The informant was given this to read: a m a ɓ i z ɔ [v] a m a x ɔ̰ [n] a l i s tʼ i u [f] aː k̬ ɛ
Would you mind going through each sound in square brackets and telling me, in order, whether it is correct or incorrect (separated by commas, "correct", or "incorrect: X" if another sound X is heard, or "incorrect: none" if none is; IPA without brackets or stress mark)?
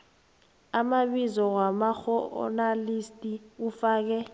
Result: incorrect: w, correct, correct